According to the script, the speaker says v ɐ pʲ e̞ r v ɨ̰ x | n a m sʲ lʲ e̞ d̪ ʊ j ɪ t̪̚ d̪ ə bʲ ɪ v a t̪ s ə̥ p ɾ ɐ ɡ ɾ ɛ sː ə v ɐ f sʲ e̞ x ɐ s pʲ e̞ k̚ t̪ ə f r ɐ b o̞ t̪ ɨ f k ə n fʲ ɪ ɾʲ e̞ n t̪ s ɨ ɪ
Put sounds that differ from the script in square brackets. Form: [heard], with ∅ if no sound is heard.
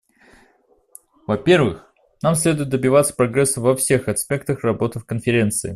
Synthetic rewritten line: v ɐ pʲ e̞ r v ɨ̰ x | n a m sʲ lʲ e̞ d̪ ʊ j ɪ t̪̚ d̪ ə bʲ ɪ v a t̪ s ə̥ p ɾ ɐ ɡ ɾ ɛ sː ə v ɐ f sʲ e̞ x ɐ s pʲ e̞ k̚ t̪ ə [x] r ɐ b o̞ t̪ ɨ f k ə n fʲ ɪ ɾʲ e̞ n t̪ s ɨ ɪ